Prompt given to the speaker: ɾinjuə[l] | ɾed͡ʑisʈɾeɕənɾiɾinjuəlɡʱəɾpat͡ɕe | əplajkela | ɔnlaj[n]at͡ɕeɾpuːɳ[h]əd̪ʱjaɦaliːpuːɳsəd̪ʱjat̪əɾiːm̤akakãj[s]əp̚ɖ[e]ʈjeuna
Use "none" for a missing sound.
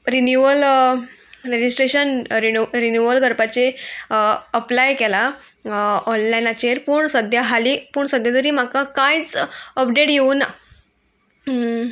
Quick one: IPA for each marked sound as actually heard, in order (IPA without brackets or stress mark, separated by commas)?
l, n, s, t͡s, e